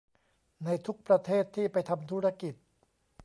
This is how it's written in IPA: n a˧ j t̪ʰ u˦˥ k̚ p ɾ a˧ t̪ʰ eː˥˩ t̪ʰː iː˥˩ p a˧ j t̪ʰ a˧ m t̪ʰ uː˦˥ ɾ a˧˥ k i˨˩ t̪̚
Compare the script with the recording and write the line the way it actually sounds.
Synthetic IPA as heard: n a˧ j t̪ʰ u˦˥ k̚ p ɾ a˧ t̪ʰ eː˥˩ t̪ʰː iː˥˩ p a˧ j t̪ʰ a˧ m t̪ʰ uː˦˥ ɾ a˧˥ k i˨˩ t̪̚